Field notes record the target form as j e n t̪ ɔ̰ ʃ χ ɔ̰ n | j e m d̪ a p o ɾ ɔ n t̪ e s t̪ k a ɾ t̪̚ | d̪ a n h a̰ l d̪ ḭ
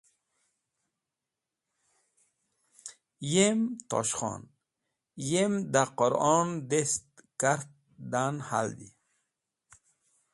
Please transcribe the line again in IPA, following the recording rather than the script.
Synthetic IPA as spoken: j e m t̪ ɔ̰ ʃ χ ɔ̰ n | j e m d̪ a q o ɾ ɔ n d̪ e s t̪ k a ɾ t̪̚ | d̪ a n h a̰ l d̪ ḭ